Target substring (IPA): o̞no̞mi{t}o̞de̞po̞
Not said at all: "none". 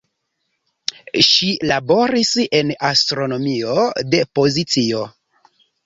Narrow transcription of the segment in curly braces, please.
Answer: none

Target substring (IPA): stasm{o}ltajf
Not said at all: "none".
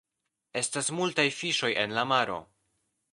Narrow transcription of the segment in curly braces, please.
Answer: u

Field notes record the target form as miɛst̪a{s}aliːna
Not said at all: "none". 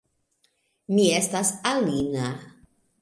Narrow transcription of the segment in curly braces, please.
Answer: s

